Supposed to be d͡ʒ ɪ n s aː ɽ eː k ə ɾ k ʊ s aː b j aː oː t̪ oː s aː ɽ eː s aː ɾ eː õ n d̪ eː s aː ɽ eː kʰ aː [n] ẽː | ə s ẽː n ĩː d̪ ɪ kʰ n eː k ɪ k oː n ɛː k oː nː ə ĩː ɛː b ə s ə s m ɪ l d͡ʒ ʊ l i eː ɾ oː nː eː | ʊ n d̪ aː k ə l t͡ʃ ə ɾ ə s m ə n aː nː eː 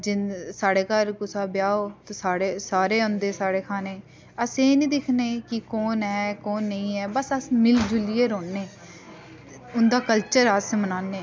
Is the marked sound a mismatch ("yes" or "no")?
no